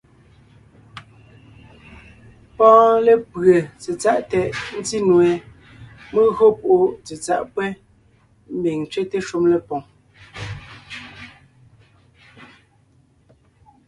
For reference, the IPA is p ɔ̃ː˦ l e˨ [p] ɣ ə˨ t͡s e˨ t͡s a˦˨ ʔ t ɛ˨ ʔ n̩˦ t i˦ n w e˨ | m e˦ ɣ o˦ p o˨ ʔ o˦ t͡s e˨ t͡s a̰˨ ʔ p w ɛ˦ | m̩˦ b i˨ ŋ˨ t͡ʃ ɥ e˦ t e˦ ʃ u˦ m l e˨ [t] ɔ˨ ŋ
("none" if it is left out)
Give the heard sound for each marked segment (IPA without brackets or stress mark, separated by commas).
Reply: p, p